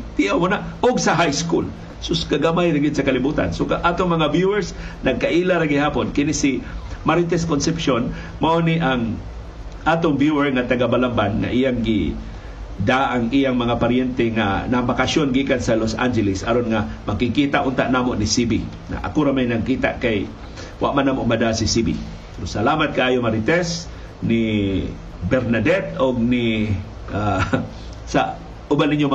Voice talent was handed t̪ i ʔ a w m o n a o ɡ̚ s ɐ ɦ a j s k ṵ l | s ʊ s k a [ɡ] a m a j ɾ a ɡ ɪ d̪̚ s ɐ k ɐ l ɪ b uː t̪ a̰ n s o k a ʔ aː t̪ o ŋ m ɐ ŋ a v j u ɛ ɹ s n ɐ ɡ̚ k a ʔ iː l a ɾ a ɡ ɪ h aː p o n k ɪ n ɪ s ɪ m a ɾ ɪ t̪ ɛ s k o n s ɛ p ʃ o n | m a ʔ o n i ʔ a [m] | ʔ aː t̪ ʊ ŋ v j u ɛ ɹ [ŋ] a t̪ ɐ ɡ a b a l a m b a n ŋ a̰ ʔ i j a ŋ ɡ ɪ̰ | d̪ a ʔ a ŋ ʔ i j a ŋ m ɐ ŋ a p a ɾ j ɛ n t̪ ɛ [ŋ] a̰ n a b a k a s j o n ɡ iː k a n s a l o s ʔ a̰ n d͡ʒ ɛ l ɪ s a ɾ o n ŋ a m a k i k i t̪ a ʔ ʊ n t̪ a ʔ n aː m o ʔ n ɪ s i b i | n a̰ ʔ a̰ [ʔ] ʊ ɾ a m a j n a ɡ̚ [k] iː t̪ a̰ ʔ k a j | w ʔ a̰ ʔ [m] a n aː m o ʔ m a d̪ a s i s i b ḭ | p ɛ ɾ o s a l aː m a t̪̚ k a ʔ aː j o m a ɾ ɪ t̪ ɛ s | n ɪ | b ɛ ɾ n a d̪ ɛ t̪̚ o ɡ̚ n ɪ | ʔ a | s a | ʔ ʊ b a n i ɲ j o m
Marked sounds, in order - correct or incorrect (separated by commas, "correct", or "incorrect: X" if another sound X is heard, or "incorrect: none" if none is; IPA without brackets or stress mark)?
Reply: correct, incorrect: ŋ, correct, correct, incorrect: k, correct, correct